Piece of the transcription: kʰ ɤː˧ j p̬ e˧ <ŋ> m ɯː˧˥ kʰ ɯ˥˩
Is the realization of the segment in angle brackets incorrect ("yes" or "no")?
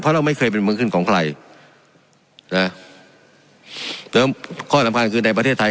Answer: yes